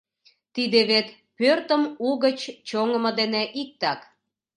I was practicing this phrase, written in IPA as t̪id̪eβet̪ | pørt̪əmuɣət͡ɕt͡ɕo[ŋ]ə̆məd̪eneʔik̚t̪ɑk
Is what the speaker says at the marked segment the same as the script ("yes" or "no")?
yes